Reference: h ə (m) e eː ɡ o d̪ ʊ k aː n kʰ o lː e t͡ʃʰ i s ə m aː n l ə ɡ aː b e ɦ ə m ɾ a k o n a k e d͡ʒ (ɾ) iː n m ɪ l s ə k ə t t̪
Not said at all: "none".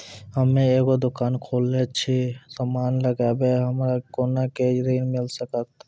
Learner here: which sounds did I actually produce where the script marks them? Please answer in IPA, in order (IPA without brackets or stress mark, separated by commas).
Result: m, ɾ